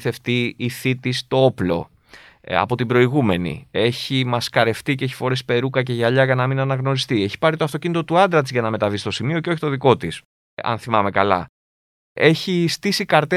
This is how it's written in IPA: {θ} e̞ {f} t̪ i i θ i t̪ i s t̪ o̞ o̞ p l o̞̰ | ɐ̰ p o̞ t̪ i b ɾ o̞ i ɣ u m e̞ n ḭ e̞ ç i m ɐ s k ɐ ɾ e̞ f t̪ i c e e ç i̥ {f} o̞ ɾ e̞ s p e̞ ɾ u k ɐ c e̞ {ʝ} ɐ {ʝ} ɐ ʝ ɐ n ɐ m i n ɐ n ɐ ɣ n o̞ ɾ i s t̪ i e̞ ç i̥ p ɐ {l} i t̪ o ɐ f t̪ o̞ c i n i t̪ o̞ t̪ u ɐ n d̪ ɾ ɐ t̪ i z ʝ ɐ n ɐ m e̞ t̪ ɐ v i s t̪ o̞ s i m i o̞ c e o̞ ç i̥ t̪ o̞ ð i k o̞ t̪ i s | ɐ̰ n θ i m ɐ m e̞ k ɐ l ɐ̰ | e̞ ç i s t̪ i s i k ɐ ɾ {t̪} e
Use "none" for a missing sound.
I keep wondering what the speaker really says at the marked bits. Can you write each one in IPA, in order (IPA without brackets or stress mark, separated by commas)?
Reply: θ, f, f, ʝ, ʎ, ɾ, t̪